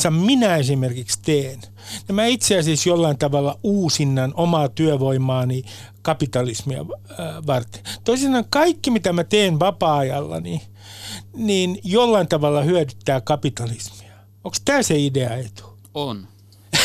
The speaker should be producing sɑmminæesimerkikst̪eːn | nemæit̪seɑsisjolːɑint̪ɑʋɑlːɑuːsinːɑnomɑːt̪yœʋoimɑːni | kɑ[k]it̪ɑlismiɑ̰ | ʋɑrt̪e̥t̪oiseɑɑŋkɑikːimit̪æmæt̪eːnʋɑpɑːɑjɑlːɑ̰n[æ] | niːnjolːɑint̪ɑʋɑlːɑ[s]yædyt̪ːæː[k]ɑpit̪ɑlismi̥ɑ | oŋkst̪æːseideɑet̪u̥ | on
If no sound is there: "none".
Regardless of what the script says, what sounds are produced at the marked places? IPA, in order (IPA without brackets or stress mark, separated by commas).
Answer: p, i, h, k